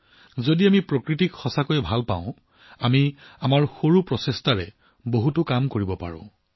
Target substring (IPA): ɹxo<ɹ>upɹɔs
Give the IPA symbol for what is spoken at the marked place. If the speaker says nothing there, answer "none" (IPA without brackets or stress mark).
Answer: ɹ